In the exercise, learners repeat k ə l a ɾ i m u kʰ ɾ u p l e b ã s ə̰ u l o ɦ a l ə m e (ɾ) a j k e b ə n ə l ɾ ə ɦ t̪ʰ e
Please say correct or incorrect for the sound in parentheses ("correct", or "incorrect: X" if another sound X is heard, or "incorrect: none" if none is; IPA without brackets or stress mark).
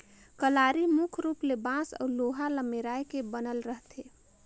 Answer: correct